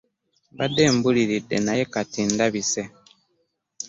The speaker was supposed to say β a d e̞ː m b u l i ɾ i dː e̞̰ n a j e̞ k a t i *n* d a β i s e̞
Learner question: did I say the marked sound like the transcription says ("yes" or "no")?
yes